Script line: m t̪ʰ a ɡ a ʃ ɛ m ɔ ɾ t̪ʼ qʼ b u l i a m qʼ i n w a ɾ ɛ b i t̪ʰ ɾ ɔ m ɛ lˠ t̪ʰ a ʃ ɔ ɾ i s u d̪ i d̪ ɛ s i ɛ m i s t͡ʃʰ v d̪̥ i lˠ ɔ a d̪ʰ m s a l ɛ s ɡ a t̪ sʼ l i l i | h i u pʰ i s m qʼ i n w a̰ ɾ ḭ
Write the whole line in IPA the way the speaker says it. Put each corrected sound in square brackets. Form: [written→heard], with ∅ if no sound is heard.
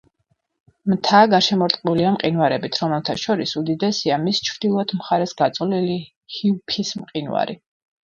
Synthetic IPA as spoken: m t̪ʰ a ɡ a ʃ ɛ m ɔ ɾ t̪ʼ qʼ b u l i a m qʼ i n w a ɾ ɛ b i t̪ʰ ɾ ɔ m ɛ lˠ t̪ʰ a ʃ ɔ ɾ i s u d̪ i d̪ ɛ s i [ɛ→a] m i s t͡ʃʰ v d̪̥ i lˠ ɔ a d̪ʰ m [s→χ] a [l→ɾ] ɛ s ɡ a t̪ sʼ l i l i | h i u pʰ i s m qʼ i n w a̰ ɾ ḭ